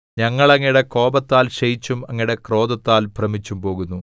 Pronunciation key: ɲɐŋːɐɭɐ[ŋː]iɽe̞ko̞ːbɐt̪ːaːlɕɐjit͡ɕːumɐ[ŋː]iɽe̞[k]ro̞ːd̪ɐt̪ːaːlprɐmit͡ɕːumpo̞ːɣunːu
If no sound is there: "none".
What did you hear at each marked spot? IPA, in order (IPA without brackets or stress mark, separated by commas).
ŋː, ŋː, k